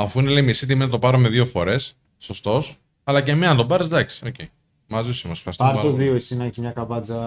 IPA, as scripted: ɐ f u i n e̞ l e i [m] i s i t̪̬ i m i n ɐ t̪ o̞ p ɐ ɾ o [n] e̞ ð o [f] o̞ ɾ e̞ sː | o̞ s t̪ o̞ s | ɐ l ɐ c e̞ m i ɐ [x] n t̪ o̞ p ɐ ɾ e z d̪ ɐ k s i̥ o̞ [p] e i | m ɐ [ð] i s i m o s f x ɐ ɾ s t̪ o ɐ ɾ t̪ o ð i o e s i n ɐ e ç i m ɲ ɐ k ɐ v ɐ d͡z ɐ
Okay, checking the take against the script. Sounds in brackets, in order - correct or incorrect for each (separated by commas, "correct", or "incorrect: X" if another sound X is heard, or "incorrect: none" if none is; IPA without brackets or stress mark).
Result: correct, incorrect: m, correct, incorrect: none, incorrect: c, incorrect: z